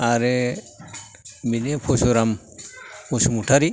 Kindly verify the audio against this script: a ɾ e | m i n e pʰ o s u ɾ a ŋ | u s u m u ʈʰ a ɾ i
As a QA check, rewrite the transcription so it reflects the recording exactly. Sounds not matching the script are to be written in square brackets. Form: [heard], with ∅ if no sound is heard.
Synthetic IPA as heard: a ɾ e | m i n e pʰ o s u ɾ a [m] | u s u m u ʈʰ a ɾ i